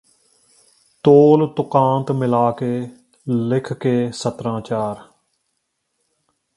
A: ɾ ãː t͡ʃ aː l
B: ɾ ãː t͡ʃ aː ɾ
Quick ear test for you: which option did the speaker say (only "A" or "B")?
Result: B